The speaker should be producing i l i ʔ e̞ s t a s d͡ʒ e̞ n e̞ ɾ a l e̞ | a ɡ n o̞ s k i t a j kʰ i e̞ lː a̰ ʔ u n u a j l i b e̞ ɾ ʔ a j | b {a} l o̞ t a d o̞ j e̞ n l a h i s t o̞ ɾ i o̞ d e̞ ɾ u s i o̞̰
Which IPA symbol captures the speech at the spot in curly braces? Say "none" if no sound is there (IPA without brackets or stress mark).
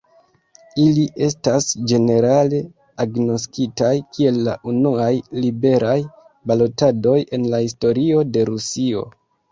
a